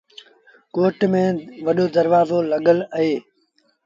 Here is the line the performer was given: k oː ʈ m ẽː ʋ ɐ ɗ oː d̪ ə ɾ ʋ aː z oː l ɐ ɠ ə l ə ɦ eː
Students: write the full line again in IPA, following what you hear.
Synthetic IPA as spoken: k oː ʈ m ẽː ʋ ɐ ɗ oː d̪ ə ɾ ʋ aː z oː l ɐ ɠ ə l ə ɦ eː